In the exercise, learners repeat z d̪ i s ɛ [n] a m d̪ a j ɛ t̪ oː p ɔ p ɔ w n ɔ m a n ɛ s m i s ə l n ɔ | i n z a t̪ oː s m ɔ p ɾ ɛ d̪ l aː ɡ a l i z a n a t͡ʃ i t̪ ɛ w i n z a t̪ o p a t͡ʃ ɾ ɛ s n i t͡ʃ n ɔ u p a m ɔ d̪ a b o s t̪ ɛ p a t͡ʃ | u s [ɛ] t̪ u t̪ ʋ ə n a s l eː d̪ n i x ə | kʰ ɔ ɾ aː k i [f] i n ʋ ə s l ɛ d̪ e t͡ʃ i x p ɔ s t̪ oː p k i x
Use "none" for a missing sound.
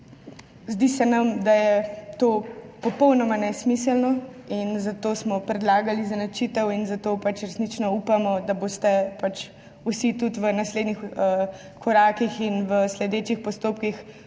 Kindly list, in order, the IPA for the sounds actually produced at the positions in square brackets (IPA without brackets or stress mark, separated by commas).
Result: n, i, x